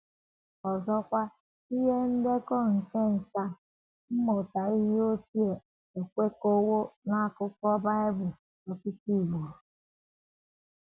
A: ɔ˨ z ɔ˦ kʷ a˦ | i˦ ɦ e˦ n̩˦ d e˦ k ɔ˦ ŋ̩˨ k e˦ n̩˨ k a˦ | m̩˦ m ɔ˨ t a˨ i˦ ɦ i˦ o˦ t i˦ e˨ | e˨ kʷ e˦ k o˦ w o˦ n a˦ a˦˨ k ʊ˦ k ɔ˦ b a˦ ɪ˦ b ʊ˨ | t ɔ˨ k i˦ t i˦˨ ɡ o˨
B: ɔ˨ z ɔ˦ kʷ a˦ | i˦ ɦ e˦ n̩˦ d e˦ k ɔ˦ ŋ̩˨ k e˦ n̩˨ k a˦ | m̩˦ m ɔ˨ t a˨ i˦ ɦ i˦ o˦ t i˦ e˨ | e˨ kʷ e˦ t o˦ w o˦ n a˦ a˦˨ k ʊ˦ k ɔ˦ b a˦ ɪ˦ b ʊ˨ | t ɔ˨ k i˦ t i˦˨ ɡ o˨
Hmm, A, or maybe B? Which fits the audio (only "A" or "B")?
A